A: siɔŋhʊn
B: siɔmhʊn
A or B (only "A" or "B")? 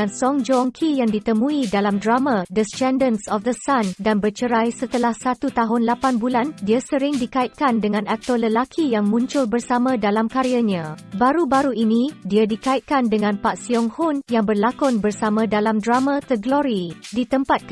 A